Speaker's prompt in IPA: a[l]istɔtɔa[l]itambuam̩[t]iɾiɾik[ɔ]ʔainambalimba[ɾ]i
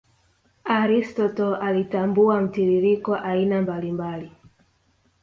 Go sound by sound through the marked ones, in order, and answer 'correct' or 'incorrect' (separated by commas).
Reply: incorrect, correct, correct, correct, incorrect